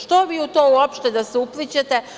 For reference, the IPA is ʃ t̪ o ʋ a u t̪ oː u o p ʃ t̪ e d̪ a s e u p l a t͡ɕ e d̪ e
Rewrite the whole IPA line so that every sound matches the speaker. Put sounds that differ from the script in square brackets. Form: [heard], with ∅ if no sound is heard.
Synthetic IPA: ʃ t̪ o ʋ [i] u t̪ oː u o p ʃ t̪ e d̪ a s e u p l [i] t͡ɕ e [t̪] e